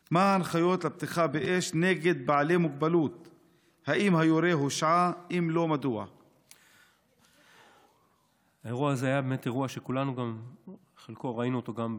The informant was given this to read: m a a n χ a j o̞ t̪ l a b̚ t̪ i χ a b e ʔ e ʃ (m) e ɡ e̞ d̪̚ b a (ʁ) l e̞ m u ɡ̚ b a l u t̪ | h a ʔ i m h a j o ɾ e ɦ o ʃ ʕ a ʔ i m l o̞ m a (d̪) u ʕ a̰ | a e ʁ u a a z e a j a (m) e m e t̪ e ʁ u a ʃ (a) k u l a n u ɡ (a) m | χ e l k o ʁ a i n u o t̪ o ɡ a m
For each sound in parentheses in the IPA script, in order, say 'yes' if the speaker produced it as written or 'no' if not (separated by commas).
no, no, yes, no, no, yes